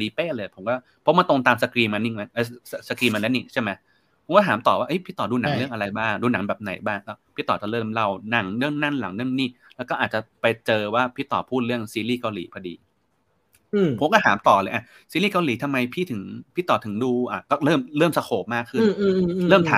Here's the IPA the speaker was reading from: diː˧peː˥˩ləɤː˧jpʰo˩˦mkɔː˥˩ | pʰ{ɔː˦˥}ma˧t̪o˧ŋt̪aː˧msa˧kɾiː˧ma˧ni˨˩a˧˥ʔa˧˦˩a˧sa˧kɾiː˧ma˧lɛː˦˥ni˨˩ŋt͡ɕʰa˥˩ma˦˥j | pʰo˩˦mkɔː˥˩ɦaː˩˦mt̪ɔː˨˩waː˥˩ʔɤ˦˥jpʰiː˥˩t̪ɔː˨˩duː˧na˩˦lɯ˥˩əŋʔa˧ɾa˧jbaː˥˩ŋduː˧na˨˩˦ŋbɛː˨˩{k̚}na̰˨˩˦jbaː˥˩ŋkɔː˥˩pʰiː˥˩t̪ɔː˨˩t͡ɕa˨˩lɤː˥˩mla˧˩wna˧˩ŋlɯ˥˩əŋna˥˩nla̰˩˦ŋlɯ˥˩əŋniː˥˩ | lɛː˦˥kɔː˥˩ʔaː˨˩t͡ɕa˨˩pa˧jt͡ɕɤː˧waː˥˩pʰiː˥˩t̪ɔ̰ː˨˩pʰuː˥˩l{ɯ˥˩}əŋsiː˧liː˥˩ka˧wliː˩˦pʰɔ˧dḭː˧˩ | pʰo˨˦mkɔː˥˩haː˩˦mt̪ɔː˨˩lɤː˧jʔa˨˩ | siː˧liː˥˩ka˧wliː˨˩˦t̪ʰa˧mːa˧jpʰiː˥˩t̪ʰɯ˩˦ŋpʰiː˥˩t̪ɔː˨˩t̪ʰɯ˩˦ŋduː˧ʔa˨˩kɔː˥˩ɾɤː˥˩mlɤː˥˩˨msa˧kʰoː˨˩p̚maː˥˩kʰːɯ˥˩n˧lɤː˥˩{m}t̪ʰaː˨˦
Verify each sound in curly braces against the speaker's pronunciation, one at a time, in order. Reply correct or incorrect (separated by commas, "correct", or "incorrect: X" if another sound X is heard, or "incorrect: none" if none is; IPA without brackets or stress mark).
incorrect: ɔ˦˥, incorrect: p̚, correct, correct